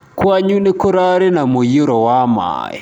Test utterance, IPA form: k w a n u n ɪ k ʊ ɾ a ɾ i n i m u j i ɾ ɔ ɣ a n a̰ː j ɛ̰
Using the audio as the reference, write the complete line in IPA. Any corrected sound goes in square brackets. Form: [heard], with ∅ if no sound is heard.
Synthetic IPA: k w a [ɲ] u n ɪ k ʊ ɾ a ɾ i n [a] m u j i ɾ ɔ [w] a [m] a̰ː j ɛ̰